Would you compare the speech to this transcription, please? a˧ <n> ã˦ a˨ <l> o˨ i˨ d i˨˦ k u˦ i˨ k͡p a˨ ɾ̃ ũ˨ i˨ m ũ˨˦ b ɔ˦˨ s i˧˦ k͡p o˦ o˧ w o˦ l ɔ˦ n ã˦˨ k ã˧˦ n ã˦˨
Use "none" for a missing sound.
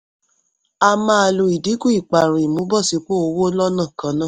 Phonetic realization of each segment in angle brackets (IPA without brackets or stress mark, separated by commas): m, l